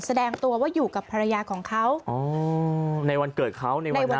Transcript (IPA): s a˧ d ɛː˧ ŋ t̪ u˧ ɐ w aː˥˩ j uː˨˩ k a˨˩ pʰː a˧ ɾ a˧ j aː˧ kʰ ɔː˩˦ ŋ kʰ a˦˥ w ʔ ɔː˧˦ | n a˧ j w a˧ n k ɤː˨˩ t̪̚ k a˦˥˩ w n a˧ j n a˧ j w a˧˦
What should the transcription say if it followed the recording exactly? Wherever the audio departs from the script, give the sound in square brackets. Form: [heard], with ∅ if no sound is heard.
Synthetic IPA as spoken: s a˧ d ɛː˧ ŋ t̪ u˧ ɐ w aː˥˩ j uː˨˩ k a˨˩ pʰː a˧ ɾ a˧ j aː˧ kʰ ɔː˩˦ ŋ kʰ a˦˥ w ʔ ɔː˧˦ | n a˧ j w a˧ n k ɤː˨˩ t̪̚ [kʰ] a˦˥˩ w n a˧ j n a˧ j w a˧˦